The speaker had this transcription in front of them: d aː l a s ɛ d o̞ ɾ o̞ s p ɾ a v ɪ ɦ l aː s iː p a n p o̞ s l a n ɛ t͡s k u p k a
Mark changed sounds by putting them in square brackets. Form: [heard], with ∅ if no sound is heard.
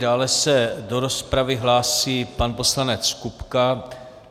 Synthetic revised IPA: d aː l [ɛ] s ɛ d o̞ ɾ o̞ s p ɾ a v ɪ ɦ l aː s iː p a n p o̞ s l a n ɛ t͡s k u p k a